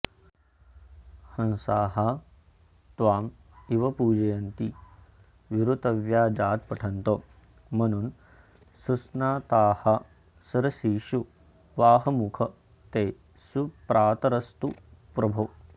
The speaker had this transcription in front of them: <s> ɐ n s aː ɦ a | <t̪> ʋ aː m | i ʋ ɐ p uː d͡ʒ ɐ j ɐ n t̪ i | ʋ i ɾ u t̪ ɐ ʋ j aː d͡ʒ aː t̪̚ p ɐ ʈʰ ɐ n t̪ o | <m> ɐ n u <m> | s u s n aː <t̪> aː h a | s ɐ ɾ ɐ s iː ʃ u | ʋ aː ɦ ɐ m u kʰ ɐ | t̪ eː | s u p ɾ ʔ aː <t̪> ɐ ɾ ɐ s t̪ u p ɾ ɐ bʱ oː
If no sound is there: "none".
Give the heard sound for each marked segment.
h, t̪, m, n, t̪, t̪

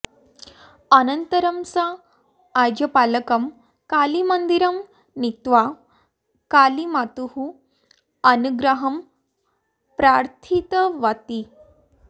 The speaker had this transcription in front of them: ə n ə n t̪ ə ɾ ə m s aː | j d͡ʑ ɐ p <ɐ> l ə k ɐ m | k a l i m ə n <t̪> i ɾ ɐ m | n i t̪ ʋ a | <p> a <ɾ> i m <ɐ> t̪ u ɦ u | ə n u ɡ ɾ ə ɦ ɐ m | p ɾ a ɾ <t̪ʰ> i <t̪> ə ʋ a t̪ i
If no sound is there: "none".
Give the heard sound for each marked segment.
a, d̪, k, l, a, t̪ʰ, t̪

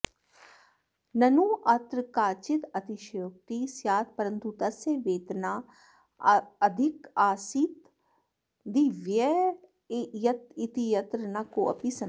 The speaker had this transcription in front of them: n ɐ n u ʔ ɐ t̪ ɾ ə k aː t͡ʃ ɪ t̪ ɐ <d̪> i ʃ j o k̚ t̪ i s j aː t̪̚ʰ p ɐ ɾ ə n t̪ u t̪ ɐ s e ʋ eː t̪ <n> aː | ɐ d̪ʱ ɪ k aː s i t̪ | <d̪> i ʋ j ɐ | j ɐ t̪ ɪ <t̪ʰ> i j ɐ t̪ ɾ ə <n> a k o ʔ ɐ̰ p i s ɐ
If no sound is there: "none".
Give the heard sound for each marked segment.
t̪, n, d̪, t̪, n

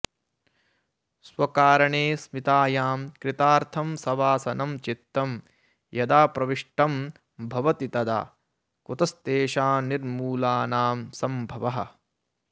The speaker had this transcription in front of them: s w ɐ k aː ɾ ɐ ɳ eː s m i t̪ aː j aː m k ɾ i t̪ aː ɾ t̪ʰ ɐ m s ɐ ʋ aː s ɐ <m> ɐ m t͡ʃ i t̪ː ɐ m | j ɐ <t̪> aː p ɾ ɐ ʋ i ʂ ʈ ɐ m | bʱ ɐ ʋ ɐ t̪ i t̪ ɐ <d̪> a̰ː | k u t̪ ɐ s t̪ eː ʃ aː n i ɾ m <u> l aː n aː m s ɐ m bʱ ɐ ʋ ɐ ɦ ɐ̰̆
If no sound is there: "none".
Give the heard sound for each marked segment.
n, d̪, d̪, uː

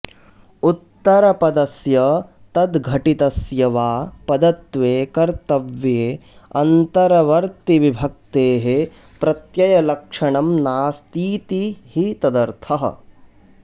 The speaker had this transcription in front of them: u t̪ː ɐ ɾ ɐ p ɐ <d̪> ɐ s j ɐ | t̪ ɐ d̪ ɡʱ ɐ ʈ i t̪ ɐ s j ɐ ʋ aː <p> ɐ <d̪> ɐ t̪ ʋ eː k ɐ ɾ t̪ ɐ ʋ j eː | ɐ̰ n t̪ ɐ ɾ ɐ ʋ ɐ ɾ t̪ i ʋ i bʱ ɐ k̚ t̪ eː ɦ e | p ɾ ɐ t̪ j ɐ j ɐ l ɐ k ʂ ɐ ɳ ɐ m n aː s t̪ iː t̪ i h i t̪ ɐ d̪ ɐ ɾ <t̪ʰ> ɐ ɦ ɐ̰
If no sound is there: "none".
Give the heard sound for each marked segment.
d̪, p, d̪, t̪ʰ

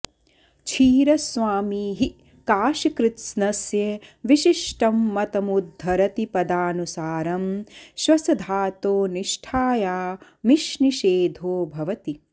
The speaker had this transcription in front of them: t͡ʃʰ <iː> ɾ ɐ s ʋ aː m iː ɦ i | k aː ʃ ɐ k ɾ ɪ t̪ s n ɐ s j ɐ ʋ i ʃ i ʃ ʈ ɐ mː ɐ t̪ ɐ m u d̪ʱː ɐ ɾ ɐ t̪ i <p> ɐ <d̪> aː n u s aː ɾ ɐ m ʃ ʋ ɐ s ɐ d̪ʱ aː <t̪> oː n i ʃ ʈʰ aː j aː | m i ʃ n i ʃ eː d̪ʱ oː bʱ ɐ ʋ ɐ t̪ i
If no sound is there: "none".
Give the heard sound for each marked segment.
iː, p, d̪, t̪

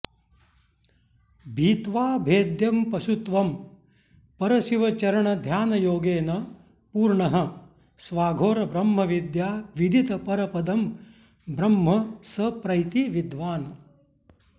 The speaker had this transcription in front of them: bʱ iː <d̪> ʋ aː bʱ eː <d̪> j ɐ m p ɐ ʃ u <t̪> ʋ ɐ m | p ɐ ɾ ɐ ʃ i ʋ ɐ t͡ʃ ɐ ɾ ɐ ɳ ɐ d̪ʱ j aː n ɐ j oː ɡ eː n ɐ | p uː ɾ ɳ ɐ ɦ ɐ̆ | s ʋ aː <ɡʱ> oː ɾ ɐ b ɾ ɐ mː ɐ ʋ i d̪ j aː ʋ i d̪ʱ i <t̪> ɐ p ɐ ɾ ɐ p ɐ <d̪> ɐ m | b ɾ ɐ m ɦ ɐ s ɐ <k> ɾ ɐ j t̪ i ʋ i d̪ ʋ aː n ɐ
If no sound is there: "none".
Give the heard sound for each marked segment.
t̪, d̪, t̪, ɡʱ, t̪, d̪, p

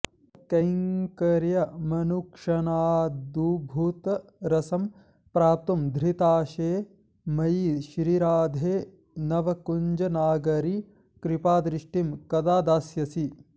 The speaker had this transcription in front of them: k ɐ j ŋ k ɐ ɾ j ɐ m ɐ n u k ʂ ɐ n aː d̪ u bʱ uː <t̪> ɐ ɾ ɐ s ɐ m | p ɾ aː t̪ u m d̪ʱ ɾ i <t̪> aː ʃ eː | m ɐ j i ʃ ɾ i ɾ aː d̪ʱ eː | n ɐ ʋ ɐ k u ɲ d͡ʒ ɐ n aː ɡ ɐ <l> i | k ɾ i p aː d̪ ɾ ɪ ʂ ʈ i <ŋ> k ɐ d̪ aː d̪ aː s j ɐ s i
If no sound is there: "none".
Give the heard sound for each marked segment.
t̪, t̪, ɾ, m

